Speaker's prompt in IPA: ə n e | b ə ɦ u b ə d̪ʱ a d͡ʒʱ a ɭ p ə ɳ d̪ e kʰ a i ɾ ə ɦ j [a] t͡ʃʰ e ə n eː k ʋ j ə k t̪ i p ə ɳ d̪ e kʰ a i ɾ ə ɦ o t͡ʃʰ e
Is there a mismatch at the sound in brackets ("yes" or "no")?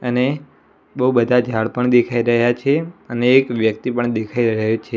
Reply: no